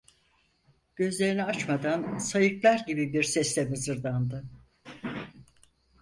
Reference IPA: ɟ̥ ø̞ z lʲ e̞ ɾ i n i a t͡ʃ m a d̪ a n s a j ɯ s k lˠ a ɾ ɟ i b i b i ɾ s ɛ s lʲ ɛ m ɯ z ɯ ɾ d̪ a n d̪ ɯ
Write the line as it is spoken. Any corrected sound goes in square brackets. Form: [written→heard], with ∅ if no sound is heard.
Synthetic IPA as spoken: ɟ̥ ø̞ z lʲ e̞ ɾ i n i a t͡ʃ m a d̪ a n s a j ɯ [s→∅] k lˠ a ɾ ɟ i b i b i ɾ s ɛ s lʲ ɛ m ɯ z ɯ ɾ d̪ a n d̪ ɯ